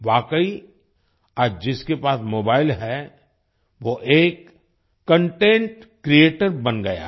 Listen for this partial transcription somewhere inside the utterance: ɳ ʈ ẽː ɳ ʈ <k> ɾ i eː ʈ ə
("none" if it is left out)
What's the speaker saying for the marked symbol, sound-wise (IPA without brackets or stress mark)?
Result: k